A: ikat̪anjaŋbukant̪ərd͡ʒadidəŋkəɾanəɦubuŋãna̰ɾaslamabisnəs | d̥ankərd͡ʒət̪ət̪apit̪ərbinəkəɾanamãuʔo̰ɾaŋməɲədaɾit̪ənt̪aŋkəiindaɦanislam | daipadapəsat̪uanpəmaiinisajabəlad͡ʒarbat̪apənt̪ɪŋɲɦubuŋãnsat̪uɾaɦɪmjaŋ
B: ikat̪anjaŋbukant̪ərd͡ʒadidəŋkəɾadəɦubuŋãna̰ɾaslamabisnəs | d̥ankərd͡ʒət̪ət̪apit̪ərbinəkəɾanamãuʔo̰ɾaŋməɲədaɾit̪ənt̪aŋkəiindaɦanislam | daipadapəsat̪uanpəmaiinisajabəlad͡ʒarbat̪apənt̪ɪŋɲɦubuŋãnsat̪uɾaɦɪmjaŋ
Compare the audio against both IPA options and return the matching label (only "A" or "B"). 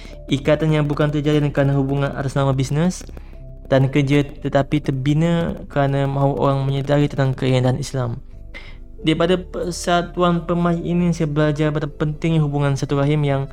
A